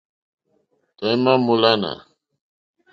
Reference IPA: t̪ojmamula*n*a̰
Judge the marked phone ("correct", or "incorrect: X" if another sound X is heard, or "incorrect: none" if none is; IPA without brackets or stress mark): correct